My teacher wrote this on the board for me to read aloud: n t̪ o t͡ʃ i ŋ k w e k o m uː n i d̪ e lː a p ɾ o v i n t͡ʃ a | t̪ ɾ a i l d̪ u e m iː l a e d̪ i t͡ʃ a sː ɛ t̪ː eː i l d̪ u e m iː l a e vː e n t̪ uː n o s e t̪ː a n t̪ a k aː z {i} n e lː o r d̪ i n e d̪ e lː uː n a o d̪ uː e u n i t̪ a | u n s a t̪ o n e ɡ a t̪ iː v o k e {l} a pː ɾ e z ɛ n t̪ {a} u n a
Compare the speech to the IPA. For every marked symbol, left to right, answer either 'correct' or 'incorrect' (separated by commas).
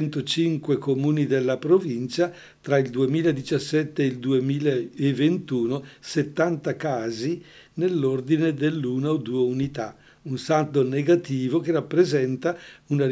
correct, incorrect, correct